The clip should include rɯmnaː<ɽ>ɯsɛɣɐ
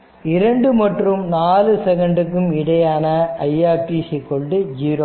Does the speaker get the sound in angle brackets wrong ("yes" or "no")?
yes